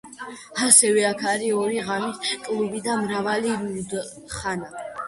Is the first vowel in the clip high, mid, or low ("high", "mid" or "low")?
low